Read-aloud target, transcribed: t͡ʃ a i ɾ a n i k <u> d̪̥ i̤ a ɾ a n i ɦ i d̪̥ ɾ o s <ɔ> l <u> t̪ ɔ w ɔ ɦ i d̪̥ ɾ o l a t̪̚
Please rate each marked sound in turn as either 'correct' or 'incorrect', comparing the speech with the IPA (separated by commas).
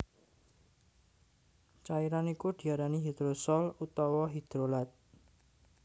correct, correct, correct